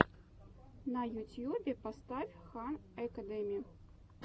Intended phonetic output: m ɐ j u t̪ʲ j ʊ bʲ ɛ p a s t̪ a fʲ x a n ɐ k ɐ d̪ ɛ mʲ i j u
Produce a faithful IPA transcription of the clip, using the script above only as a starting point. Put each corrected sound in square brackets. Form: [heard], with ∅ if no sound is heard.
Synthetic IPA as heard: [n] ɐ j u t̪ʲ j [u] bʲ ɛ p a s t̪ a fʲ x a n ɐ k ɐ d̪ ɛ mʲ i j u